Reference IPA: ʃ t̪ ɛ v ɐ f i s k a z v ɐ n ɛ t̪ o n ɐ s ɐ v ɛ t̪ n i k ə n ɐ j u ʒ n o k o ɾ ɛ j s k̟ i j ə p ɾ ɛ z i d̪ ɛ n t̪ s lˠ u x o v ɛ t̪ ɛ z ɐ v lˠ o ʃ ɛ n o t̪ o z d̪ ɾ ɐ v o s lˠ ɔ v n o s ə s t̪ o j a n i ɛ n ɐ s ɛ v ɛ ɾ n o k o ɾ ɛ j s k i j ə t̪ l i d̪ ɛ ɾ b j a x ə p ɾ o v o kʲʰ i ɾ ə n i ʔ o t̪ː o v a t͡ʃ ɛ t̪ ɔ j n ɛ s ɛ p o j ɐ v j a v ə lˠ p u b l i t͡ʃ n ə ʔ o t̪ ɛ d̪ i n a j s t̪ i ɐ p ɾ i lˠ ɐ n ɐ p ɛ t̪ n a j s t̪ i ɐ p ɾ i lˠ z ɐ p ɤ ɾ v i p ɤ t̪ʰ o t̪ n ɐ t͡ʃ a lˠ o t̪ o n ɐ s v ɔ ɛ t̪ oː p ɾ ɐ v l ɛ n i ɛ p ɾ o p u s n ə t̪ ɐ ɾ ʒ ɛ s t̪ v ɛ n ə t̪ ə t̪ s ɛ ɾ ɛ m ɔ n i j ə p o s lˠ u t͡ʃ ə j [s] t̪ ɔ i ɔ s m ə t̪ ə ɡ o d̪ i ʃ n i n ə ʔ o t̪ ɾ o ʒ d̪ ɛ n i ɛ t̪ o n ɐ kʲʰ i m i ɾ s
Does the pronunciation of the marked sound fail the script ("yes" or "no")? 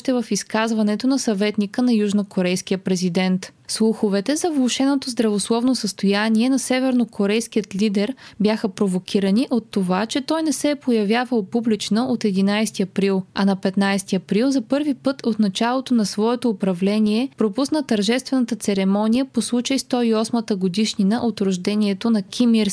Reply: no